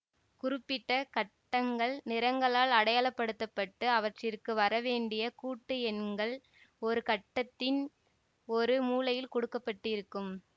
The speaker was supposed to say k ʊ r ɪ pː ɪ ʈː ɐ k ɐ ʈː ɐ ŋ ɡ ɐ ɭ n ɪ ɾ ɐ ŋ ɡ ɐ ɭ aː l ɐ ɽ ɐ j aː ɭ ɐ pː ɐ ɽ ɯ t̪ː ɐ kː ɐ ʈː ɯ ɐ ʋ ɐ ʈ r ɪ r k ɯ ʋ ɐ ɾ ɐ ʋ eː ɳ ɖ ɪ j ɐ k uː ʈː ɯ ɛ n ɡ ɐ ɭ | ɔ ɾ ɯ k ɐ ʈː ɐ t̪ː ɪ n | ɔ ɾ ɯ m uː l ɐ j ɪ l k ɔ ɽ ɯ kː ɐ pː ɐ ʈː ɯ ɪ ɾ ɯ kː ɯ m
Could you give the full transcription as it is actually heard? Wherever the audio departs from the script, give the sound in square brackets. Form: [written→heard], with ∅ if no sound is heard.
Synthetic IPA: k ʊ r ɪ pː ɪ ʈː ɐ k ɐ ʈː ɐ ŋ ɡ ɐ ɭ n ɪ ɾ ɐ ŋ ɡ ɐ ɭ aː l ɐ ɽ ɐ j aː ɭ ɐ pː ɐ ɽ ɯ t̪ː ɐ [kː→pː] ɐ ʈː ɯ ɐ ʋ ɐ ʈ r ɪ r k ɯ ʋ ɐ ɾ ɐ ʋ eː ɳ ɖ ɪ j ɐ k uː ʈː ɯ ɛ n ɡ ɐ ɭ | ɔ ɾ ɯ k ɐ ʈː ɐ t̪ː ɪ n | ɔ ɾ ɯ m uː l ɐ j ɪ l k ɔ ɽ ɯ kː ɐ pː ɐ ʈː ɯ ɪ ɾ ɯ kː ɯ m